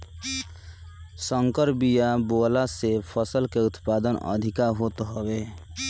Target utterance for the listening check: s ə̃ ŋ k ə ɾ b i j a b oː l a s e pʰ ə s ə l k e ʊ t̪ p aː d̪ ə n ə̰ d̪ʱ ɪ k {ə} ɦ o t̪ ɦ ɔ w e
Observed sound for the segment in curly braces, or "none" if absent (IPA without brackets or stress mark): a